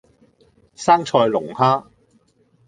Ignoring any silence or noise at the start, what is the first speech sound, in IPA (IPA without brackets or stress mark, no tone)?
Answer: s